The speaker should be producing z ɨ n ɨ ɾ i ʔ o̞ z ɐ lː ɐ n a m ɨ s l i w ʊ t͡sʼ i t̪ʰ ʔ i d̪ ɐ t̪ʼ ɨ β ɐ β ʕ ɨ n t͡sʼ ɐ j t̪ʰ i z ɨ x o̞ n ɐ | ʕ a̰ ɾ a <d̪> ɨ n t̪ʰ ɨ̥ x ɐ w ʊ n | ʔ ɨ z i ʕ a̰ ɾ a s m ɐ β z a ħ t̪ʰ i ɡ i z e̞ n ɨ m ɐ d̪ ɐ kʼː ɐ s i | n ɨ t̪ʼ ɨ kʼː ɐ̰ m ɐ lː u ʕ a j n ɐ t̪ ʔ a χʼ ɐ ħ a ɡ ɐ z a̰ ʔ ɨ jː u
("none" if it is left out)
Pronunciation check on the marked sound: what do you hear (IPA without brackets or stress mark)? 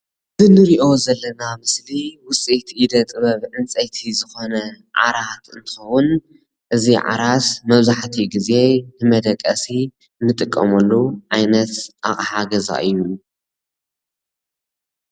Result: t̪